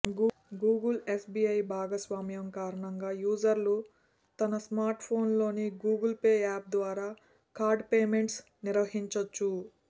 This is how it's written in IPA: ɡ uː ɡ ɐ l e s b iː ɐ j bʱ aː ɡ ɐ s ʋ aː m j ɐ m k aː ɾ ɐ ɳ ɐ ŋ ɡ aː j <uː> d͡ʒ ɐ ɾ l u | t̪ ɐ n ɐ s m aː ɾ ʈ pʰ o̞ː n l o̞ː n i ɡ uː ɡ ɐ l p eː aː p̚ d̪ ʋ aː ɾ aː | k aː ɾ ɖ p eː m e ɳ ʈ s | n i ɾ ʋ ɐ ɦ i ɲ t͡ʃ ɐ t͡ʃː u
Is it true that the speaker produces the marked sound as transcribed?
yes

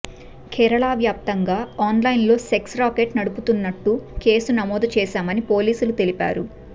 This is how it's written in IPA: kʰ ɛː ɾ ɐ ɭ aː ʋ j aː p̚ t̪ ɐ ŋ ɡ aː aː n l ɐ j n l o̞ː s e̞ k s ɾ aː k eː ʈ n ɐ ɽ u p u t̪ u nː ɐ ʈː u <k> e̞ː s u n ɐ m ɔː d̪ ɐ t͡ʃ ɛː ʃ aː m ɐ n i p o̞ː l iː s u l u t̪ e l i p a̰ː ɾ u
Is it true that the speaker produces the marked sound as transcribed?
yes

